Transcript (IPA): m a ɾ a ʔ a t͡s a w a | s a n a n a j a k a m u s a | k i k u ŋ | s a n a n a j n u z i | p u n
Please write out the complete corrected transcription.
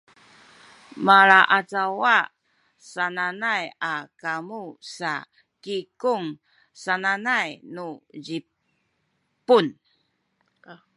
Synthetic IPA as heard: m a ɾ a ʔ a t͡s a w a | s a n a n a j a k a m u s a | k i k u ŋ | s a n a n a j n u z i | p u n